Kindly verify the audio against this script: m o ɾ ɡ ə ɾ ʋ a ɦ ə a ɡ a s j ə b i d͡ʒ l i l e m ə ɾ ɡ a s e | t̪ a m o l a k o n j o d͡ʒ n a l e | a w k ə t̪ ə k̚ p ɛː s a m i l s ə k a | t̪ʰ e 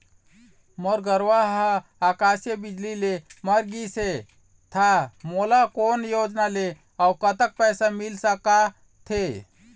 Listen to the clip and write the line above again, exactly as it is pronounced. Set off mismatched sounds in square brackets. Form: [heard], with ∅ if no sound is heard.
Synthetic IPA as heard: m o ɾ ɡ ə ɾ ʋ a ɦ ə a [k] a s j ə b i d͡ʒ l i l e m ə ɾ ɡ [i] s e | [t̪ʰ] a m o l a k o n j o d͡ʒ n a l e | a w k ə t̪ ə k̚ p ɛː s a m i l s ə k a | t̪ʰ e